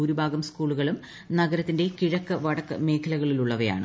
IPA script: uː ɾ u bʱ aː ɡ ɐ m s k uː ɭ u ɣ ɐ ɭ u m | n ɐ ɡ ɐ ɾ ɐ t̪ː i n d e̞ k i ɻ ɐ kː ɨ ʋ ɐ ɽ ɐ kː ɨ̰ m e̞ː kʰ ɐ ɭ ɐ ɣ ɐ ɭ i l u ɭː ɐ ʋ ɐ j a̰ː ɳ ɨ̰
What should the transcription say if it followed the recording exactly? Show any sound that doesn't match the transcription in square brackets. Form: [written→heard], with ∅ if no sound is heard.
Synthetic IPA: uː ɾ u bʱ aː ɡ ɐ m s k uː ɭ u ɣ ɐ ɭ u m | n ɐ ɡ ɐ ɾ ɐ t̪ː i n d e̞ k i ɻ ɐ kː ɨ ʋ ɐ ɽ ɐ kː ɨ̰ m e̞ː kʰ ɐ [ɭ→l] ɐ ɣ ɐ ɭ i l u ɭː ɐ ʋ ɐ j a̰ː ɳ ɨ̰

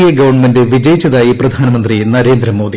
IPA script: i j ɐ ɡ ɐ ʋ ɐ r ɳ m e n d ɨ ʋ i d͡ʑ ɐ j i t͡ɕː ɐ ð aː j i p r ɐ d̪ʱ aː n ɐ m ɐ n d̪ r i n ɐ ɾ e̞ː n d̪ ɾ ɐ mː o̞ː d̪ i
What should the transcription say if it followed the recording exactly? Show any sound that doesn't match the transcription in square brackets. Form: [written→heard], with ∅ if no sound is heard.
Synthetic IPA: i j ɐ ɡ ɐ ʋ ɐ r ɳ m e n d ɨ ʋ i d͡ʑ ɐ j i t͡ɕː ɐ ð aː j i p r ɐ d̪ʱ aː n ɐ m ɐ n d̪ r i n ɐ ɾ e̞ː n d̪ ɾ ɐ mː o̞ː d̪ i

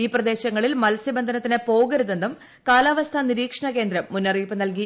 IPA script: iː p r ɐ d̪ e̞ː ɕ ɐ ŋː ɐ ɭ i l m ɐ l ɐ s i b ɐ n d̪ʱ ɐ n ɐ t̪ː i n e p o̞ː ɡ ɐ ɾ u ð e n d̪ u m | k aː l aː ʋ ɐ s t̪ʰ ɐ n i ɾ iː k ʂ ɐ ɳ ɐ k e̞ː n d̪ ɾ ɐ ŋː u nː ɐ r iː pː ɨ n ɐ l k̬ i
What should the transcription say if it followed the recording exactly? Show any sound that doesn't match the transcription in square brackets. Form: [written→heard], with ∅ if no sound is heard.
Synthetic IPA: iː p r ɐ d̪ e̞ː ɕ ɐ ŋː ɐ ɭ i l m ɐ l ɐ s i b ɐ n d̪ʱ ɐ n ɐ t̪ː i n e p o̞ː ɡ ɐ ɾ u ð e n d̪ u m | k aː l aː ʋ ɐ s t̪ʰ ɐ n i ɾ iː k ʂ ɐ ɳ ɐ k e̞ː n d̪ ɾ ɐ [ŋː→mː] u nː ɐ r iː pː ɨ n ɐ l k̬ i

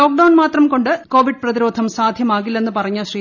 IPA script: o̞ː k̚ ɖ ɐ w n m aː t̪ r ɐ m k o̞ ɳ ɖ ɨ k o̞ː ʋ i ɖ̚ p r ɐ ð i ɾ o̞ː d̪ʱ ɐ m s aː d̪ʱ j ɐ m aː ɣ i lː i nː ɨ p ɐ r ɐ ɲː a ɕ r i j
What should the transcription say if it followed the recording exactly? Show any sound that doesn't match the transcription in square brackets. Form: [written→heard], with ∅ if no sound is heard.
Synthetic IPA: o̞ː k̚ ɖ ɐ w n m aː t̪ r ɐ m k o̞ ɳ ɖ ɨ k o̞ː ʋ i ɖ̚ p r ɐ ð i ɾ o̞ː d̪ʱ ɐ m s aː d̪ʱ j ɐ m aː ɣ i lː [i→e] nː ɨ p ɐ r ɐ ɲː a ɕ r i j

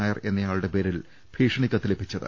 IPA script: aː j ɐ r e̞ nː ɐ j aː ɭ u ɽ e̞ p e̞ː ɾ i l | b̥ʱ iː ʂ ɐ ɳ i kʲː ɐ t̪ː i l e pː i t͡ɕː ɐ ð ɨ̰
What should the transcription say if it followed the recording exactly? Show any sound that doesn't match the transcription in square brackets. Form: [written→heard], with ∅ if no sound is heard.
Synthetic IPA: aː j ɐ r e̞ nː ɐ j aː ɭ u ɽ e̞ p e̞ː ɾ i l | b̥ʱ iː ʂ ɐ ɳ i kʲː ɐ t̪ː i l e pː i t͡ɕː ɐ ð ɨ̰

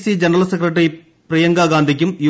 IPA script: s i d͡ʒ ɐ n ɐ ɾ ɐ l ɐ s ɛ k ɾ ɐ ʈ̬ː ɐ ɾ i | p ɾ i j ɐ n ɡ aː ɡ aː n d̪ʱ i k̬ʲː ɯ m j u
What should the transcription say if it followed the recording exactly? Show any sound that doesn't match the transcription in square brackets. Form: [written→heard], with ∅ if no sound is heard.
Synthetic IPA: s i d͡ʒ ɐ n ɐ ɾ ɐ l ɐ s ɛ k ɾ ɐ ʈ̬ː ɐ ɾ i | p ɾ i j ɐ [n→ŋ] ɡ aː ɡ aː n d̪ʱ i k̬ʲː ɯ m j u

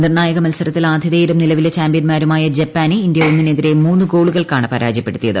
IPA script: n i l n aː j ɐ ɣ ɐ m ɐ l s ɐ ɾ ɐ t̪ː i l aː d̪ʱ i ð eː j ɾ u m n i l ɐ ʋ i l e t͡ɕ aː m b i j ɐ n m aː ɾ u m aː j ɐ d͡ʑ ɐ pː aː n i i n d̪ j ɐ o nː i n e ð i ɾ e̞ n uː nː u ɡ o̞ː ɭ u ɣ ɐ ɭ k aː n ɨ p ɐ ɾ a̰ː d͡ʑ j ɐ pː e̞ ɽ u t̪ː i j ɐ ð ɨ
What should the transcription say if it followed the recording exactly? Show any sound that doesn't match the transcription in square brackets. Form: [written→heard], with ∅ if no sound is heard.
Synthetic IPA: n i [l→r] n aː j ɐ ɣ ɐ m ɐ l s ɐ ɾ ɐ t̪ː i l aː d̪ʱ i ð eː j ɾ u m n i l ɐ ʋ i l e t͡ɕ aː m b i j ɐ n m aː ɾ u m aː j ɐ d͡ʑ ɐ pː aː n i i n d̪ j ɐ o nː i n e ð i ɾ e̞ [n→m] uː nː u ɡ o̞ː ɭ u ɣ ɐ ɭ k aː [n→ɳ] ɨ p ɐ ɾ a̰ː d͡ʑ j ɐ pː e̞ ɽ u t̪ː i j ɐ ð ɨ

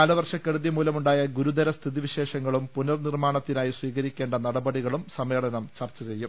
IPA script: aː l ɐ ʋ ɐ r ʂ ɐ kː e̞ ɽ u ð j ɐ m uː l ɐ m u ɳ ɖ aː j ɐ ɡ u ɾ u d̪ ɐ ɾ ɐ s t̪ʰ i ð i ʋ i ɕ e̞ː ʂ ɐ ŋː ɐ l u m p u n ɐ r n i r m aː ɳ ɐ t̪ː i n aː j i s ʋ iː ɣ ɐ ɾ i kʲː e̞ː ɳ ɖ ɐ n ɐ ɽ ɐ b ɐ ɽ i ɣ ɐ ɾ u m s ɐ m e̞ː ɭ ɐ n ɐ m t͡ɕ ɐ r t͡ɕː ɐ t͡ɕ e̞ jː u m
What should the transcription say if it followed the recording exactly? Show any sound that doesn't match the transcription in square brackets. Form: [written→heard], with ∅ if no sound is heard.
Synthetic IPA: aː l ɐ ʋ ɐ r ʂ ɐ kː e̞ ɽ u ð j ɐ m uː l ɐ m u ɳ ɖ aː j ɐ ɡ u ɾ u d̪ ɐ ɾ ɐ s t̪ʰ i ð i ʋ i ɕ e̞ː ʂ ɐ ŋː ɐ [l→ɭ] u m p u n ɐ r n i r m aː ɳ ɐ t̪ː i n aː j i s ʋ iː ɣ ɐ ɾ i kʲː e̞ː ɳ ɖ ɐ n ɐ ɽ ɐ b ɐ ɽ i ɣ ɐ [ɾ→ɭ] u m s ɐ m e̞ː ɭ ɐ n ɐ m t͡ɕ ɐ r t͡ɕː ɐ t͡ɕ e̞ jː u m

